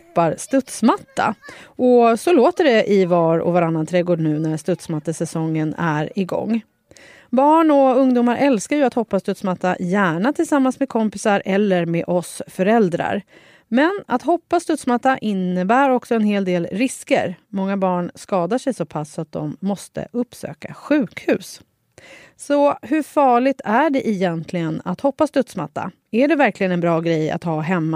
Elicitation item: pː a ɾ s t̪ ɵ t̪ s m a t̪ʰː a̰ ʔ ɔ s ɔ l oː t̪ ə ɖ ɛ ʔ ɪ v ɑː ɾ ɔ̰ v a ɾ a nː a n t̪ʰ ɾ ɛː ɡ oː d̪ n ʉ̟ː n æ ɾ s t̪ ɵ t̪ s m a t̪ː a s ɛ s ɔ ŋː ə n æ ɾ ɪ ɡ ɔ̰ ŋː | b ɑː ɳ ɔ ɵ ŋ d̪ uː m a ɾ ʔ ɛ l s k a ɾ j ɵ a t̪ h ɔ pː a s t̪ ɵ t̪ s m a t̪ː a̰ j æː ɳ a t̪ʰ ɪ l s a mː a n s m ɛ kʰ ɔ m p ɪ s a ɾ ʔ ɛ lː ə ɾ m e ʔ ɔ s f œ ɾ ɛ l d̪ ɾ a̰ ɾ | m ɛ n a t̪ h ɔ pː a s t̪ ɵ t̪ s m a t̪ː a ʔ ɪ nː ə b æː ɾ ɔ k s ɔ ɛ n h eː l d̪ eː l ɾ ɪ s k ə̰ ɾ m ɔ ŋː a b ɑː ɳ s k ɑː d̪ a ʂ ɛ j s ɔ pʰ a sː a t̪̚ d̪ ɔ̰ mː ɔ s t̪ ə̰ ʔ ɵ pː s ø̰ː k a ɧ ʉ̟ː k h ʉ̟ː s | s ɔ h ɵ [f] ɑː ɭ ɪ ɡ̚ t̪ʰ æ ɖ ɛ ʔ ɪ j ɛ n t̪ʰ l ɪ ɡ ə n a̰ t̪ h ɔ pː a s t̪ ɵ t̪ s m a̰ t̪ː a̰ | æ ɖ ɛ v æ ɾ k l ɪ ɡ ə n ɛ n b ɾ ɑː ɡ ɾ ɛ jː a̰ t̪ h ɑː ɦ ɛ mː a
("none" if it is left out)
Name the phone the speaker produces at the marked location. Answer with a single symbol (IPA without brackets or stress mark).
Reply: f